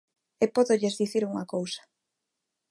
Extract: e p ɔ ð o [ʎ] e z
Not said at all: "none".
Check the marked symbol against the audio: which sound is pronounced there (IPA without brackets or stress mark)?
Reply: ʎ